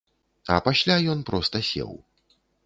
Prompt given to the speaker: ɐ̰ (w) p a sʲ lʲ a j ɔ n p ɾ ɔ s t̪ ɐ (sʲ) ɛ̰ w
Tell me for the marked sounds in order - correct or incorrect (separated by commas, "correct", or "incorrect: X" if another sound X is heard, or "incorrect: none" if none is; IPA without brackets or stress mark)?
incorrect: none, correct